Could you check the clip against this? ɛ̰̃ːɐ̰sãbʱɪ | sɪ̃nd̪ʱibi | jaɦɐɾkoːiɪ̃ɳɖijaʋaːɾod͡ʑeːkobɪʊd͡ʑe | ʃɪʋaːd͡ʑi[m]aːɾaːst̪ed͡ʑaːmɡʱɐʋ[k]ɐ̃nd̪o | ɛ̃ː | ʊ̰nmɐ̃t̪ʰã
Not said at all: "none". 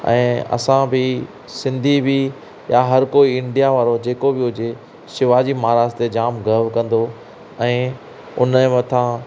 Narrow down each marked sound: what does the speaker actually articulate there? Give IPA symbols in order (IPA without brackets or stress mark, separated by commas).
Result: m, k